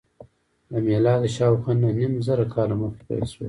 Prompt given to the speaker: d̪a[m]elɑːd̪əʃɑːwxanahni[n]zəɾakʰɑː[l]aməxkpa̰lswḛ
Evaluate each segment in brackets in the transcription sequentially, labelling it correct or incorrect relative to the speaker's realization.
correct, incorrect, correct

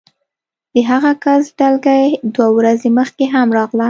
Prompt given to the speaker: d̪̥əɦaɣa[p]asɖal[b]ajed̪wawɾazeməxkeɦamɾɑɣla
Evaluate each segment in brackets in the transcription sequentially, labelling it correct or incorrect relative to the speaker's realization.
incorrect, incorrect

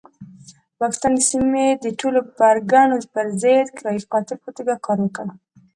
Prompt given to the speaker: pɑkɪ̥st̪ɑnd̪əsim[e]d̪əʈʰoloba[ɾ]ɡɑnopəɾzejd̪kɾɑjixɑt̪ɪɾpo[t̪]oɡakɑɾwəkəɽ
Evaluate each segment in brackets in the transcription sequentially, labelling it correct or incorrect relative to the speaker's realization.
correct, correct, correct

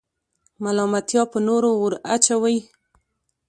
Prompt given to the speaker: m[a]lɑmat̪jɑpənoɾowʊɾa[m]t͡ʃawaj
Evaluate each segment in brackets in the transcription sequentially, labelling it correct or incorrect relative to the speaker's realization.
correct, incorrect

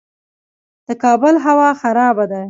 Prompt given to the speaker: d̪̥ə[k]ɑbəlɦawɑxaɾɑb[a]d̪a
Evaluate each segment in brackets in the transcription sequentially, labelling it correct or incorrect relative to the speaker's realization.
correct, correct

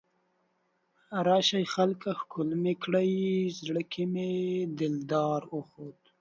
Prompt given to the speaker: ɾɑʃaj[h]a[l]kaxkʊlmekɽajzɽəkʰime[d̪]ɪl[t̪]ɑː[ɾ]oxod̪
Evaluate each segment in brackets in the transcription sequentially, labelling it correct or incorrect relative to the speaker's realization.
incorrect, correct, correct, incorrect, correct

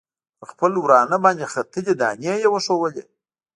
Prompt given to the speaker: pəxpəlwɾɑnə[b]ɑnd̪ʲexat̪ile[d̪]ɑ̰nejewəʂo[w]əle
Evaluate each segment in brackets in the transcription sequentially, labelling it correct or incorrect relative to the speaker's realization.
correct, correct, correct

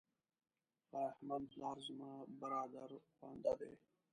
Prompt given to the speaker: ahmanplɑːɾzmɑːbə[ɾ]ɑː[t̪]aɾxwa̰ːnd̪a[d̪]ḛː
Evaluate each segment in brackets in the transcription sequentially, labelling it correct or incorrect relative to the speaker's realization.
correct, incorrect, correct

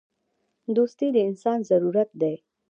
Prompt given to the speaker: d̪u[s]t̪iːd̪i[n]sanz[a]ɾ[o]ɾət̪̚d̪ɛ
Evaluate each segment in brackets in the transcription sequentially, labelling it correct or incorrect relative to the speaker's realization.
correct, correct, incorrect, incorrect

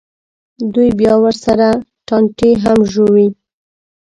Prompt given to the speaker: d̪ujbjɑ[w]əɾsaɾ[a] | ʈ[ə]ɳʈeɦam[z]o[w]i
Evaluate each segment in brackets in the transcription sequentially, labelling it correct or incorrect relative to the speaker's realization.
correct, correct, incorrect, incorrect, correct

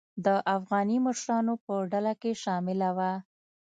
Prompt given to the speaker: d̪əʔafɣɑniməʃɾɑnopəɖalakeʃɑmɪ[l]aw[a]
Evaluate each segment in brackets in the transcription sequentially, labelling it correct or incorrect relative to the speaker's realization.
correct, correct

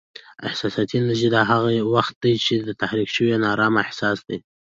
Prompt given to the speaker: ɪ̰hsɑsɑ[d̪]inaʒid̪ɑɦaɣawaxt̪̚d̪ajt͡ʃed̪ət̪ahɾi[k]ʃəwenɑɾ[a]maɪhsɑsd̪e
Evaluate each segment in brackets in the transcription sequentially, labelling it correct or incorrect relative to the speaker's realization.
incorrect, correct, incorrect

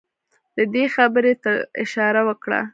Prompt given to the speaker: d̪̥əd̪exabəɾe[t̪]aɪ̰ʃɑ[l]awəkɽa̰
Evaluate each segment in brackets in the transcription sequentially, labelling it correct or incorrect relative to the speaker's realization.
correct, incorrect

